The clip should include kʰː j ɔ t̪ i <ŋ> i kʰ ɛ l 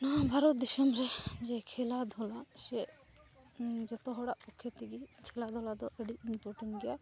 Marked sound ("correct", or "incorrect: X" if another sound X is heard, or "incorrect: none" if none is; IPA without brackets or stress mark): incorrect: ɡ